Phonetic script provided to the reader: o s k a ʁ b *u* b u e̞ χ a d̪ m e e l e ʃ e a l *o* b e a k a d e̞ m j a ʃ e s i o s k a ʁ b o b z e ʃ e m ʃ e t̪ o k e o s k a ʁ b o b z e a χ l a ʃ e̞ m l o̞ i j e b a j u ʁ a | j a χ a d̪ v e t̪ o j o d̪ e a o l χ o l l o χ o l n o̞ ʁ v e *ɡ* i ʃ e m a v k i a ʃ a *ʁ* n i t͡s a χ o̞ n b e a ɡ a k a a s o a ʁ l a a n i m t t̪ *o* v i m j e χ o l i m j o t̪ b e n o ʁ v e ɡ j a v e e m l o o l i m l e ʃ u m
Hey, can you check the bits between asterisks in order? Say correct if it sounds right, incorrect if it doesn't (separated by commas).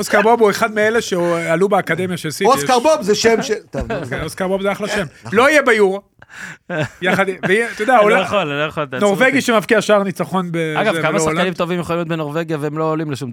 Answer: incorrect, incorrect, correct, correct, correct